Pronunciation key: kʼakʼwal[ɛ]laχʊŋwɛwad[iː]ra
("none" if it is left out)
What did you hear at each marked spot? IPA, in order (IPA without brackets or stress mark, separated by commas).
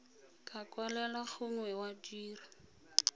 ɛ, iː